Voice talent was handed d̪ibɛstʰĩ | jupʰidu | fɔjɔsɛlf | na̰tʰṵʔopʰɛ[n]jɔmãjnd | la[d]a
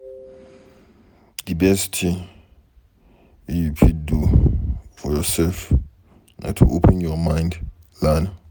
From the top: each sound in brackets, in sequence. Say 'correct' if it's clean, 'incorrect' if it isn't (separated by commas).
correct, incorrect